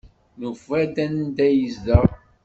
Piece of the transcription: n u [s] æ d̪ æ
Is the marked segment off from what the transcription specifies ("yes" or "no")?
yes